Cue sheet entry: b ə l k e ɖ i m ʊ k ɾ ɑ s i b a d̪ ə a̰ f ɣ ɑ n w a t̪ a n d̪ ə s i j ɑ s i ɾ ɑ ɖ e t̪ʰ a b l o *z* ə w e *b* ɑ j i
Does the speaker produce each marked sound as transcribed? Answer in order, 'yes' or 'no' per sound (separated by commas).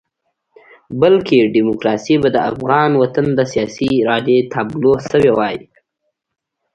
no, no